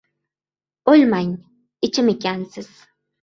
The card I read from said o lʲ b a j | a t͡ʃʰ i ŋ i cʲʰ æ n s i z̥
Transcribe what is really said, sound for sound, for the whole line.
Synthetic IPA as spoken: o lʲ m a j | i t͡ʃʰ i m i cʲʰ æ n s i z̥